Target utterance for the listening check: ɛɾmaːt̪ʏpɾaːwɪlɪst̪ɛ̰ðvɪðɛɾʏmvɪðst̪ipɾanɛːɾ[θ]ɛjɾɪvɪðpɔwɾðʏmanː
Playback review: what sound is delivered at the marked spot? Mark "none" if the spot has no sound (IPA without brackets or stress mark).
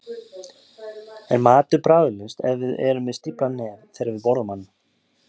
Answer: θ